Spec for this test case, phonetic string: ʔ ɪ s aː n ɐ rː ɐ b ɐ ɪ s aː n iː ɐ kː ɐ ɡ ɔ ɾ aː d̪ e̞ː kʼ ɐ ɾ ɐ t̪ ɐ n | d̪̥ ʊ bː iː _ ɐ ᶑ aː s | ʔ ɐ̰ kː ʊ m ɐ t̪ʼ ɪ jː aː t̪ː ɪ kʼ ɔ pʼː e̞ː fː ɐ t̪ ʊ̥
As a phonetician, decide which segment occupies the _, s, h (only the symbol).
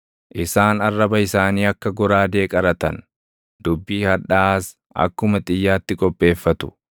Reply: h